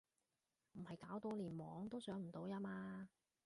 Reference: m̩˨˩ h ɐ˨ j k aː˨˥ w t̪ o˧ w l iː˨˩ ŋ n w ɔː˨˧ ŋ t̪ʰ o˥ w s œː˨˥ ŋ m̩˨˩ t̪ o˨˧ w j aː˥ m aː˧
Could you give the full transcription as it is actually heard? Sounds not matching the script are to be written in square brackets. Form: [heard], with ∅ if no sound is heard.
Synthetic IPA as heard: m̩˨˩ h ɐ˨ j k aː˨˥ w t̪ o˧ w l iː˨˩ [∅] n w ɔː˨˧ ŋ [t̪] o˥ w s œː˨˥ ŋ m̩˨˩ t̪ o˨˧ w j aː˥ m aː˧